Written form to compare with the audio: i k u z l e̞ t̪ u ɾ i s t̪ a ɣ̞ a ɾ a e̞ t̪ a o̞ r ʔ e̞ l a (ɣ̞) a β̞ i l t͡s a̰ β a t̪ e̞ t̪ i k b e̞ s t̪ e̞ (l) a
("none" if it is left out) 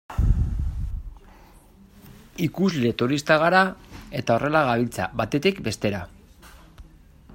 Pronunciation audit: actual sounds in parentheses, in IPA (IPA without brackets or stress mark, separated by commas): ɣ̞, ɾ